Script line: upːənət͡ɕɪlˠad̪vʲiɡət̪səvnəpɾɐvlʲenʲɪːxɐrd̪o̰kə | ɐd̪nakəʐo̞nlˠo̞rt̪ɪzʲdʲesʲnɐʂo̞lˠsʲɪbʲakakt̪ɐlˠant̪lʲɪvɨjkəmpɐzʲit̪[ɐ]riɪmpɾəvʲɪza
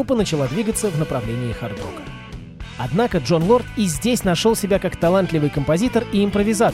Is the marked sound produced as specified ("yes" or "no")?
no